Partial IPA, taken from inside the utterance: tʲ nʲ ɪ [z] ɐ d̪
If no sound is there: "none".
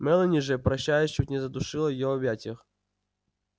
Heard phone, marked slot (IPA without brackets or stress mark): z